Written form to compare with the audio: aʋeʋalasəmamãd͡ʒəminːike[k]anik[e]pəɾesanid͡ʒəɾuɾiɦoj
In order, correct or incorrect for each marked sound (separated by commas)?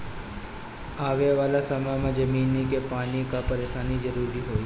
incorrect, incorrect